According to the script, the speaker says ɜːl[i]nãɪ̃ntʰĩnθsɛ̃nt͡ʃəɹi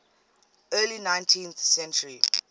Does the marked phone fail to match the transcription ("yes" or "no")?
no